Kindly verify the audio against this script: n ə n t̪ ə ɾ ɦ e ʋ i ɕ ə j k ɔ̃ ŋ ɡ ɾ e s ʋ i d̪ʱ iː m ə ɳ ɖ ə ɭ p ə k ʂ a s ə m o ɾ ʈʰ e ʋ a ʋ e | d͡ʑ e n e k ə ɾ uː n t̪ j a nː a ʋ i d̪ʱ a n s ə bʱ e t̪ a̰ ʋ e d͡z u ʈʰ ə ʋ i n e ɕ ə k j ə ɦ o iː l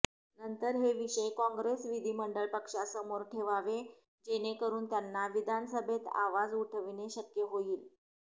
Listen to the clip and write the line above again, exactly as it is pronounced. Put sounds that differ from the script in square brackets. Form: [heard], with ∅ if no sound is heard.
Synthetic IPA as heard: n ə n t̪ ə ɾ ɦ e ʋ i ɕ ə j k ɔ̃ ŋ ɡ ɾ e s ʋ i d̪ʱ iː m ə ɳ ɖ ə ɭ p ə k ʂ a s ə m o ɾ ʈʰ e ʋ a ʋ e | d͡ʑ e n e k ə ɾ uː n t̪ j a nː a ʋ i d̪ʱ a n s ə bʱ e t̪ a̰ ʋ [a] d͡z u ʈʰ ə ʋ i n e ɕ ə k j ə ɦ o iː l